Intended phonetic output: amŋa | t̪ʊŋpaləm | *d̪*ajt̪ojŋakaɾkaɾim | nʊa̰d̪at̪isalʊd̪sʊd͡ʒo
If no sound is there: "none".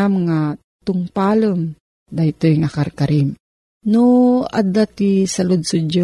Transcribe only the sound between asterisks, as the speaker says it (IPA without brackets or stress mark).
d̪